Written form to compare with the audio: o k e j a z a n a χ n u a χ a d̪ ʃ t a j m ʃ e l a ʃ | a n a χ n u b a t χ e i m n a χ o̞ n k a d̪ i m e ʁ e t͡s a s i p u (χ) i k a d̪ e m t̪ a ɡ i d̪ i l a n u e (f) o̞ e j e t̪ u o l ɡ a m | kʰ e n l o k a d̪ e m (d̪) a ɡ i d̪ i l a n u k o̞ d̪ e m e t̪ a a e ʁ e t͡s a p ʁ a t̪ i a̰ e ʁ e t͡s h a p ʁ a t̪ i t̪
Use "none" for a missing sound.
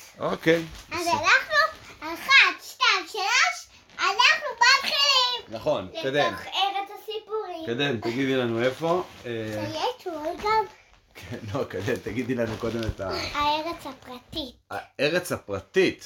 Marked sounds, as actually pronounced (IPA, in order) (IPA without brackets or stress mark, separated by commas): ʁ, f, t̪